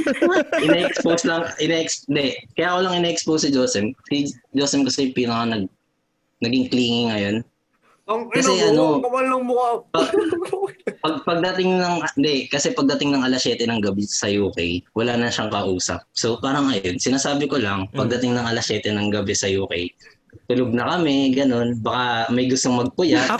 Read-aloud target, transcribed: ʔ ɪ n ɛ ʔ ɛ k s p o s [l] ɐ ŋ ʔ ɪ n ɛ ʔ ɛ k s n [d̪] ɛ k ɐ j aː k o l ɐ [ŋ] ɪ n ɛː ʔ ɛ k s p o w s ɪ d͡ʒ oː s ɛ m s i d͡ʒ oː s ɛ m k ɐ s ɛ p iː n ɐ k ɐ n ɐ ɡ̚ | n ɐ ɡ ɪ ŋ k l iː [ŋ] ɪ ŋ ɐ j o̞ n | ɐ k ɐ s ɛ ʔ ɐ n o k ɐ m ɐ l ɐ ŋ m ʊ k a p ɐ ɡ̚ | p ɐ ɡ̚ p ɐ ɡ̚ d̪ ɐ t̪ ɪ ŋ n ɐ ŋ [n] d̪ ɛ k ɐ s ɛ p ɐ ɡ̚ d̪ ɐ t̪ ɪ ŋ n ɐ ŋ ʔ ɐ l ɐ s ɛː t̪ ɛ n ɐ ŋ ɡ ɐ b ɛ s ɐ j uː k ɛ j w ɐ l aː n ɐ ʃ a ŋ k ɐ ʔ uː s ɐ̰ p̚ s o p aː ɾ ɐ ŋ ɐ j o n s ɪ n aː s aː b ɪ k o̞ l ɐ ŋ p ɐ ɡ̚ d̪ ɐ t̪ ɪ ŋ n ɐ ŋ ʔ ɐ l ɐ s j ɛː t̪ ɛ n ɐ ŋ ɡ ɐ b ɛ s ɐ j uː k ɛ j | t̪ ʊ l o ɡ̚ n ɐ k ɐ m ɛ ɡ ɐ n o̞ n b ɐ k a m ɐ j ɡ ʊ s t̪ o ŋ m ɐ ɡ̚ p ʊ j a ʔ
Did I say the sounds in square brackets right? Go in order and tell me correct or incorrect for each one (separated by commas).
correct, correct, correct, correct, correct